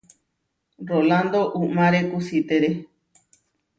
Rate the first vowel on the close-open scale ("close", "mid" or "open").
mid